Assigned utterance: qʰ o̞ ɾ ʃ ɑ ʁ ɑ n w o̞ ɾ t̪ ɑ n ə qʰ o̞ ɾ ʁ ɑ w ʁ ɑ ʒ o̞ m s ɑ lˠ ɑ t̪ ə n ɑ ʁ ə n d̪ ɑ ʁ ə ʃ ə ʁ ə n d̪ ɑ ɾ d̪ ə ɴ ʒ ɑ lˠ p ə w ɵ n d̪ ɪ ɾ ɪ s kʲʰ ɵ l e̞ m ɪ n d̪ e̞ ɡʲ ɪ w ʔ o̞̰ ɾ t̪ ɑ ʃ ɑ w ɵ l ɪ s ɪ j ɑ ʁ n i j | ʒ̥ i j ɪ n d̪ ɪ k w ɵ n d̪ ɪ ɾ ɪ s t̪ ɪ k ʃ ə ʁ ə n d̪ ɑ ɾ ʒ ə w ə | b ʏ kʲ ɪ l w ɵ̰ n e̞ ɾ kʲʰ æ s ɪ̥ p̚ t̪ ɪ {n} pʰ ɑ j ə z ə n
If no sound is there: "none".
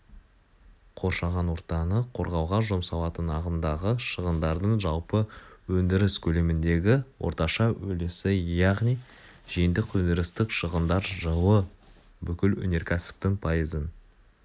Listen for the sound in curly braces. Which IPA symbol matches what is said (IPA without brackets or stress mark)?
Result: ŋ